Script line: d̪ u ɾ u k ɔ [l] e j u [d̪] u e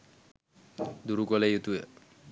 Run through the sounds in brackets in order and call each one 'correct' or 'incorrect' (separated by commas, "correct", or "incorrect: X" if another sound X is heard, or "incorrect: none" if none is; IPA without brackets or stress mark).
correct, incorrect: t̪